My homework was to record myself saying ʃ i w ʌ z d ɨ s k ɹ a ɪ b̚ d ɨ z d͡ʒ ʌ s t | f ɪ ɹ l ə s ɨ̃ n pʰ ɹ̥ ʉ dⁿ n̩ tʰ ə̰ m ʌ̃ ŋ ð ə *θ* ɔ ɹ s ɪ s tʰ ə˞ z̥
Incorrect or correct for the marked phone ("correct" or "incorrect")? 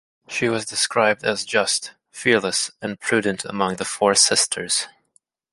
incorrect